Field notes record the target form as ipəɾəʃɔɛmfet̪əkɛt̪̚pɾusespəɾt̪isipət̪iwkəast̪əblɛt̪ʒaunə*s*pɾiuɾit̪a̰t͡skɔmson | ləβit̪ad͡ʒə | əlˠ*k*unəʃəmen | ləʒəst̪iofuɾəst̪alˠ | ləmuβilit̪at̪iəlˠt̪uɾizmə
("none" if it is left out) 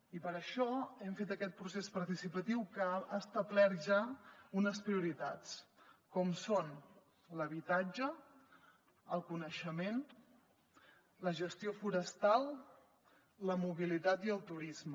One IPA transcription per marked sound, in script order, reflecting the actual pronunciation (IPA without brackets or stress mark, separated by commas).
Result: s, k